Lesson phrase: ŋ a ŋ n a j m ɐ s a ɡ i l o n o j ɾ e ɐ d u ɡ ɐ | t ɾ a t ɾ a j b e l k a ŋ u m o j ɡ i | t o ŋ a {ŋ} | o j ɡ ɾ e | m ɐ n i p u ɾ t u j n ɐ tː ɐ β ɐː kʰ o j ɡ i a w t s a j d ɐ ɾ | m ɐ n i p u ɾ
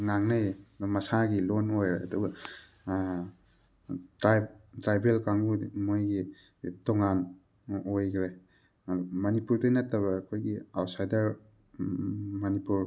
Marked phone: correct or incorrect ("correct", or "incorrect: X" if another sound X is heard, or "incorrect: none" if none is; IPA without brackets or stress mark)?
incorrect: n